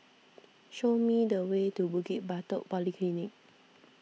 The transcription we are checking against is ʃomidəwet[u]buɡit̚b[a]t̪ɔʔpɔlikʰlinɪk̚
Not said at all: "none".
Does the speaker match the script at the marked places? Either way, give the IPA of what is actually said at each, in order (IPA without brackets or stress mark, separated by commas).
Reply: u, a